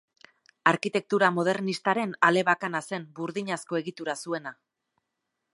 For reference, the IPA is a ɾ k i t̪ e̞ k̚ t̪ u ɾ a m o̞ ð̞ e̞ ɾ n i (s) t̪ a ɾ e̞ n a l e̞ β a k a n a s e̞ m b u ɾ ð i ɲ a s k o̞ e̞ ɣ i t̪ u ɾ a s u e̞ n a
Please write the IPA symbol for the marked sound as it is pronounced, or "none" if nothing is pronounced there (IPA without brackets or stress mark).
s